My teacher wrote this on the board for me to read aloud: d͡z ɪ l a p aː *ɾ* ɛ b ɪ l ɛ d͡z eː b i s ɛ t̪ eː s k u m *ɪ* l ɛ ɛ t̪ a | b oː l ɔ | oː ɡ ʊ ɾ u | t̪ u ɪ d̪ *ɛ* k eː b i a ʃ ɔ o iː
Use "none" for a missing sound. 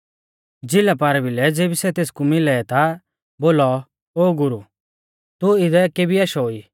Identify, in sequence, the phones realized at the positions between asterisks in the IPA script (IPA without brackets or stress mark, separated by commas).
ɾ, ɪ, ɛ